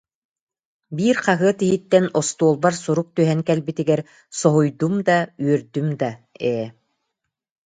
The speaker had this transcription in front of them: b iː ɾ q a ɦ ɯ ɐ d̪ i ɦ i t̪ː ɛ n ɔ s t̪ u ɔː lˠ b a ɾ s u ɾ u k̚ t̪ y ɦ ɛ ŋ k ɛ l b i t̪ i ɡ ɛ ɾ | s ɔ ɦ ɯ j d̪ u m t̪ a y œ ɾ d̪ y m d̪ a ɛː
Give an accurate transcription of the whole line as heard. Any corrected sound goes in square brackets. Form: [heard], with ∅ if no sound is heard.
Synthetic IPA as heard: b iː ɾ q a ɦ ɯ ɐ [t̪] i ɦ i t̪ː ɛ n ɔ s t̪ u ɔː lˠ b a ɾ s u ɾ u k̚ t̪ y ɦ ɛ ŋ k ɛ l b i t̪ i ɡ ɛ ɾ | s ɔ ɦ [u] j d̪ u m [d̪] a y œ ɾ d̪ y m d̪ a ɛː